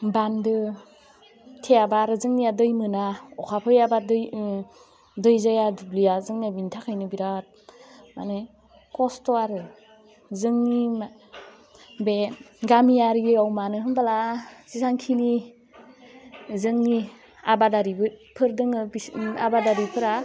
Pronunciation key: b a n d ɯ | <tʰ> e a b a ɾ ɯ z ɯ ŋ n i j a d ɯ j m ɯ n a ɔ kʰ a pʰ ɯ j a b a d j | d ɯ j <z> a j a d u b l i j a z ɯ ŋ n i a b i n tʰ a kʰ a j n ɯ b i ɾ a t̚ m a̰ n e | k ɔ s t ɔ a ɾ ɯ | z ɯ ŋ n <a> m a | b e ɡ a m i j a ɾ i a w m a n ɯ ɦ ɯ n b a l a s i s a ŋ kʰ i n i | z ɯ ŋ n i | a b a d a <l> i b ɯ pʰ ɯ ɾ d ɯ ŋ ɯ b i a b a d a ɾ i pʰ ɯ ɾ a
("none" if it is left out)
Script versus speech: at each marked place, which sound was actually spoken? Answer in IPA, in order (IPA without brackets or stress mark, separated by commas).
tʰ, z, i, ɾ